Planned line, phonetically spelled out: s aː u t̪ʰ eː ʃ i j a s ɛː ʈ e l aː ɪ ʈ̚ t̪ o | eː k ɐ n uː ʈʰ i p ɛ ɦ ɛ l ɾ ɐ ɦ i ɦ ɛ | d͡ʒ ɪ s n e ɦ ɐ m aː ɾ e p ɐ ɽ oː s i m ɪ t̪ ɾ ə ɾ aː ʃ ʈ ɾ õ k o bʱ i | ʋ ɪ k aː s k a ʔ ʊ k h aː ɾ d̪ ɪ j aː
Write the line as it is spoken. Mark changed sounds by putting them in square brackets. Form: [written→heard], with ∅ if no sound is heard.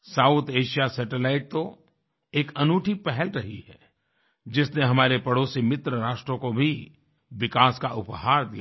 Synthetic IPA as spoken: s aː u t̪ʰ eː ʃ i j a s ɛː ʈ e l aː ɪ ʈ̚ t̪ o | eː k ɐ n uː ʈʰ i p ɛ ɦ ɛ l ɾ ɐ ɦ i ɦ ɛ | d͡ʒ ɪ s n e ɦ ɐ m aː ɾ e p ɐ ɽ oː s i m ɪ t̪ ɾ ə ɾ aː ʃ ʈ ɾ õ k o bʱ i | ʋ ɪ k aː s k a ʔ ʊ [k→p] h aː ɾ d̪ [ɪ→i] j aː